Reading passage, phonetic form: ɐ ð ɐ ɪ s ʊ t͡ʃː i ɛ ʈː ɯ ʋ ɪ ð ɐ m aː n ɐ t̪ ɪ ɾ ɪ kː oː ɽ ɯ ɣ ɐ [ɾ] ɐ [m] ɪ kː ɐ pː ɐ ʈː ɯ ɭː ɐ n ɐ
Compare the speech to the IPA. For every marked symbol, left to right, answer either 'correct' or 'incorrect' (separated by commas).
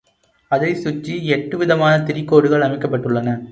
incorrect, correct